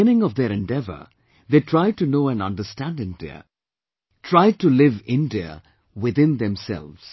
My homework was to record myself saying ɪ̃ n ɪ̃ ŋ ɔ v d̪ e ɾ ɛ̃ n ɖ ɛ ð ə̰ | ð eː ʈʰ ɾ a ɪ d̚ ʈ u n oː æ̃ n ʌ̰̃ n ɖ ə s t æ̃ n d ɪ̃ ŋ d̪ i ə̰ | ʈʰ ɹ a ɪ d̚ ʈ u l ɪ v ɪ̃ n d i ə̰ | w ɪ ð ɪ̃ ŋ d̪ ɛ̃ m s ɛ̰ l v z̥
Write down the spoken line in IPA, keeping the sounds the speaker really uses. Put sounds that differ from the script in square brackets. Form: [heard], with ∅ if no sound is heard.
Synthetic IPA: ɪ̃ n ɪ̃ ŋ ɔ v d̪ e ɾ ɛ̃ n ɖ ɛ [v] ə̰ | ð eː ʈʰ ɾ a ɪ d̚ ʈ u n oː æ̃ n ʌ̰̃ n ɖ ə s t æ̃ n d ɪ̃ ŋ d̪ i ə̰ | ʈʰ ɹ a ɪ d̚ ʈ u l ɪ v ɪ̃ n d i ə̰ | w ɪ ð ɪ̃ [n] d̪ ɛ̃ m s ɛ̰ l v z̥